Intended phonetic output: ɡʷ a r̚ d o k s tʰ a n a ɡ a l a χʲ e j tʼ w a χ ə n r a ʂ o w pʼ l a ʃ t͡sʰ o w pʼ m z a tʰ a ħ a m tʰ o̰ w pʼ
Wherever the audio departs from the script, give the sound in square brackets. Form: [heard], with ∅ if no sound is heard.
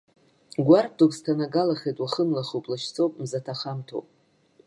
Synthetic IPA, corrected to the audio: ɡʷ a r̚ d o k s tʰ a n a ɡ a l a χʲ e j tʼ w a χ ə n [l] a [χ] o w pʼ l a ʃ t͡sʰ o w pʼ m z a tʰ a [χ] a m tʰ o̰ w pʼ